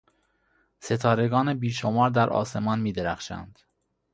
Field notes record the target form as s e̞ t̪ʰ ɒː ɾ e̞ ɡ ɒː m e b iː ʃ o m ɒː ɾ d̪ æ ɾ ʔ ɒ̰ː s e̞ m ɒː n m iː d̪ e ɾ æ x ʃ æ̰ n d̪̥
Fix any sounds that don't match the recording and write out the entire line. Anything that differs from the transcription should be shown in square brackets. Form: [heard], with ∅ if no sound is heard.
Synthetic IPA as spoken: s e̞ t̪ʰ ɒː ɾ e̞ ɡ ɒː [n] e b iː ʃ o m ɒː ɾ d̪ æ ɾ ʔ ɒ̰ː s e̞ m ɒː n m iː d̪ e ɾ æ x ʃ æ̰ n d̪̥

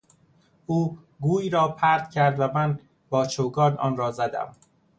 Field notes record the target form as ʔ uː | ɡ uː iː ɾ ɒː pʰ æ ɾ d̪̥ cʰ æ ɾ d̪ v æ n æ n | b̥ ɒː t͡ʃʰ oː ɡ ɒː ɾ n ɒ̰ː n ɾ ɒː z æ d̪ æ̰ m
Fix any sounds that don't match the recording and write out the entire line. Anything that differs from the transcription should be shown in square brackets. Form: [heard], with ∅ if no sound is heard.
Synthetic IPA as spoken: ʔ uː | ɡ uː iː ɾ ɒː pʰ æ ɾ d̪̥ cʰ æ ɾ d̪ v æ [m] æ n | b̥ ɒː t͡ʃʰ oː ɡ ɒː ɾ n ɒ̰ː n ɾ ɒː z æ d̪ æ̰ m

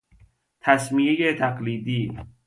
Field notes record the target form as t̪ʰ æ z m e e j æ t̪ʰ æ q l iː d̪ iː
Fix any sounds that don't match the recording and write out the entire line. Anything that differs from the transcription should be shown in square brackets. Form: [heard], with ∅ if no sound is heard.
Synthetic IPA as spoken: t̪ʰ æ [s] m [i] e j [e] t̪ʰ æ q l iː d̪ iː

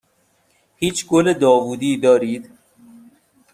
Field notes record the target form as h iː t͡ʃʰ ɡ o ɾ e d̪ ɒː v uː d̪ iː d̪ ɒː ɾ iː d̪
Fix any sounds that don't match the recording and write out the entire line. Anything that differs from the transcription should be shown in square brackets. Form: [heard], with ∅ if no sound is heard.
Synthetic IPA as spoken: h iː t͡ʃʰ ɡ o [l] e d̪ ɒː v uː d̪ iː d̪ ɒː ɾ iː d̪

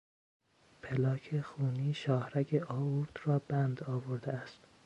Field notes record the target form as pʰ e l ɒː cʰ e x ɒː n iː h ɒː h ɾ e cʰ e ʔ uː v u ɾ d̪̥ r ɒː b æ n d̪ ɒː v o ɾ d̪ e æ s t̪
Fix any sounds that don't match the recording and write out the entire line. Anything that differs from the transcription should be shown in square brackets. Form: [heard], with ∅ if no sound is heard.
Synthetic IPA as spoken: pʰ e l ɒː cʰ e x [uː] n iː [ʃ] ɒː h ɾ [æ] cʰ e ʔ [ɒː] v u ɾ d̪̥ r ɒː b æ n d̪ ɒː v o ɾ d̪ e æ s t̪

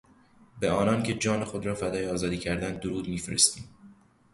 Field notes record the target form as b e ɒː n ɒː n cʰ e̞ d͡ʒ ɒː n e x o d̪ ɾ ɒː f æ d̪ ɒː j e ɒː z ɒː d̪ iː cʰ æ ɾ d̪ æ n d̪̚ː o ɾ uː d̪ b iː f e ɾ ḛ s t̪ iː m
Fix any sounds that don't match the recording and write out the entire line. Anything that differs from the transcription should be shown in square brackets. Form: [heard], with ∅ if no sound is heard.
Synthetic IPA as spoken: b e ɒː n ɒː n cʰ e̞ d͡ʒ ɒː n e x o d̪ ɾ ɒː f æ d̪ ɒː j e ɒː z ɒː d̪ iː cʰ æ ɾ d̪ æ n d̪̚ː o ɾ uː d̪ [m] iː f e ɾ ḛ s t̪ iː m

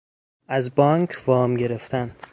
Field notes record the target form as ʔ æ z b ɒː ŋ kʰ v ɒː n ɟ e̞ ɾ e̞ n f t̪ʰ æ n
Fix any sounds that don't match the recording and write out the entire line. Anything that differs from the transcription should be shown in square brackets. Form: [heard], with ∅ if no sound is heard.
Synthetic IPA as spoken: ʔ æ z b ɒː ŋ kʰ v ɒː [m] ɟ e̞ ɾ e̞ [∅] f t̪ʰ æ n

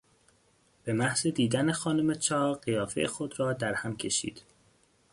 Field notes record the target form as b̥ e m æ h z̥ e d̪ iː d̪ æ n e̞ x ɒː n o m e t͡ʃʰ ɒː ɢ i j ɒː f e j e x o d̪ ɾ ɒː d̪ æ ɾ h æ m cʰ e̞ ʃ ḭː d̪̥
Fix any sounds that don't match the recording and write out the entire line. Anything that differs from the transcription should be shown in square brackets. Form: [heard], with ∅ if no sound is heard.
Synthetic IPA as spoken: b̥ e m æ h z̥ e d̪ iː d̪ æ n e̞ x ɒː n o m e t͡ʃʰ ɒː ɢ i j ɒː f e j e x o d̪ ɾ ɒː d̪ æ ɾ h æ m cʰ e̞ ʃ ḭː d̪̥

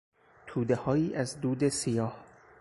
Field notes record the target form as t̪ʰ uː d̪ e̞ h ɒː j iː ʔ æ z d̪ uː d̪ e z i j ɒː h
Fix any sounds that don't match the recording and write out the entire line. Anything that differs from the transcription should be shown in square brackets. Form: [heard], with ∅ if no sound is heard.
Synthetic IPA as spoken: t̪ʰ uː d̪ e̞ h ɒː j iː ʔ æ z d̪ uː d̪ e [s] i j ɒː h

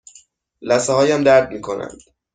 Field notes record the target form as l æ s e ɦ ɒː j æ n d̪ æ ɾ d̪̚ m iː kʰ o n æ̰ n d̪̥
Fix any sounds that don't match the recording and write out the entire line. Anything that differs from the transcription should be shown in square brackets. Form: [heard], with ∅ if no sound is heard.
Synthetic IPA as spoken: l æ s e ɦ ɒː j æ [m] d̪ æ ɾ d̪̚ m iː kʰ o n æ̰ n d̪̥

